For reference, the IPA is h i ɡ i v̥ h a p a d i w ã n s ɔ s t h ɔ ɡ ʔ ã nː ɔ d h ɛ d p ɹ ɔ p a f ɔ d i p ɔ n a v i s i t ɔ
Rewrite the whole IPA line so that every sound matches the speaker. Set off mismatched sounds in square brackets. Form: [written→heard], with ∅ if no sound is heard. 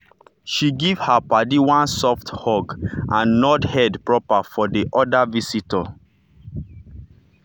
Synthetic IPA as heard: [h→ʃ] i ɡ i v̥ h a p a d i w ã n s ɔ [s→f] t h ɔ ɡ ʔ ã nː ɔ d h ɛ d p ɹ ɔ p a f ɔ d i [p→ʔ] ɔ [n→d] a v i s i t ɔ